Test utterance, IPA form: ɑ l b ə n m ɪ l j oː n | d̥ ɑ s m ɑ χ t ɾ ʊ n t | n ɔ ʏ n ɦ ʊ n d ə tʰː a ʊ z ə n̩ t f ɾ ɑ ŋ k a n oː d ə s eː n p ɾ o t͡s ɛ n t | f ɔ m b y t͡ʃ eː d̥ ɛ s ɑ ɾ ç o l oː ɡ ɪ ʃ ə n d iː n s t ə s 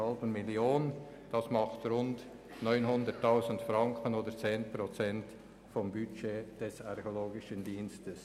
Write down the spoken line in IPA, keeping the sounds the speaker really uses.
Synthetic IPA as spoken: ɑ l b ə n m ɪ l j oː n | d̥ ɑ s m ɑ χ t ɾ ʊ n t | n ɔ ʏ n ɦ ʊ n d ə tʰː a ʊ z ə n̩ t f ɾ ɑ ŋ k ə n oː d ə t͡s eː n p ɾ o t͡s ɛ n t | f ɔ m b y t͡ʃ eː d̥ ɛ s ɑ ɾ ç o l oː ɡ ɪ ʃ ə n d iː n s t ə s